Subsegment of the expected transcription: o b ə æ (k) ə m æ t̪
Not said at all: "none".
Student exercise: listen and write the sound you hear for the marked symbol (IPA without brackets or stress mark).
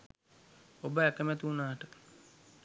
k